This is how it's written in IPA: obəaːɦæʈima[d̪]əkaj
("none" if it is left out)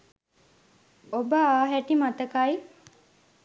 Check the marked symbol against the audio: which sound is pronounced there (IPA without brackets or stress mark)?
t̪